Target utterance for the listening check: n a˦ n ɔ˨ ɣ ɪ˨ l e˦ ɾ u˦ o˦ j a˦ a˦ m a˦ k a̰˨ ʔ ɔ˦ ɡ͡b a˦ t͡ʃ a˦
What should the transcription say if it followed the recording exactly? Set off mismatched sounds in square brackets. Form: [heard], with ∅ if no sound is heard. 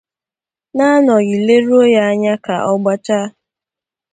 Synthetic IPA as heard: n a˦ n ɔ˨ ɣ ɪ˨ l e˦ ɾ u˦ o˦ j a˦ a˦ [ɲ] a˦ k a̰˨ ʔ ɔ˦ ɡ͡b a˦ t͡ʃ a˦